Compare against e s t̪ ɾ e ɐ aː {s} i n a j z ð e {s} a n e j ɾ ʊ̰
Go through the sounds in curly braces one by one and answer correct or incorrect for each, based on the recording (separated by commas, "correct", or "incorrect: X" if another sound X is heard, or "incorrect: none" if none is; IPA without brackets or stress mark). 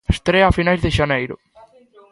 incorrect: f, incorrect: ʃ